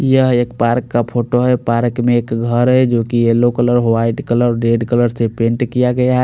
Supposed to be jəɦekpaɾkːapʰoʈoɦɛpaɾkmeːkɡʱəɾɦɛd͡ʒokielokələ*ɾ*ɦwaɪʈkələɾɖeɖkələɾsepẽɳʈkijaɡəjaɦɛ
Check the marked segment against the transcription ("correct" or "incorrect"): correct